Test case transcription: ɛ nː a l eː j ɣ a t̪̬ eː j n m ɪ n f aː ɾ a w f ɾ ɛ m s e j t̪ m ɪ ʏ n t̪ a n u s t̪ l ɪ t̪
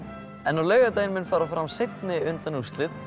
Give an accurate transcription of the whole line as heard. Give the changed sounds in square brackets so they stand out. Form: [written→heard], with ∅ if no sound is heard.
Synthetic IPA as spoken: ɛ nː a l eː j ɣ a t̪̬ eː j n m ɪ n f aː ɾ a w f ɾ [ɛ→a] m s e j t̪ [m→n] ɪ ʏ n t̪ a n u s t̪ l ɪ t̪